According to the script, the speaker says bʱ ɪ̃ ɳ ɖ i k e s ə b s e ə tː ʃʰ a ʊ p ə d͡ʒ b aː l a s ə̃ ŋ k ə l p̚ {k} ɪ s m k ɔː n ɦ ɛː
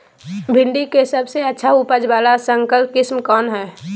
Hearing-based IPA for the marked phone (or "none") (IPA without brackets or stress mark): k